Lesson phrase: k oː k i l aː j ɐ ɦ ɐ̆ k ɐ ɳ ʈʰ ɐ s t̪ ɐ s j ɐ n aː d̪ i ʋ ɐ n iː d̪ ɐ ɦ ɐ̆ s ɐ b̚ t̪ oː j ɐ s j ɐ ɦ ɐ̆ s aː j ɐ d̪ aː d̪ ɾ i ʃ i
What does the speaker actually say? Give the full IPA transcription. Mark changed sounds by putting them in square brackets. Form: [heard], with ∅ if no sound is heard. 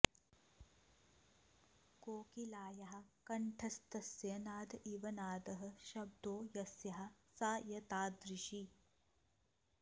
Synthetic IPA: k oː k i l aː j ɐ ɦ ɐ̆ k ɐ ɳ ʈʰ ɐ s t̪ ɐ s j ɐ n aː d̪ i ʋ ɐ n [aː] d̪ ɐ ɦ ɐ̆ [ʃ] ɐ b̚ [d̪] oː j ɐ s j ɐ ɦ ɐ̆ s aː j ɐ [t̪] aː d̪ ɾ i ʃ i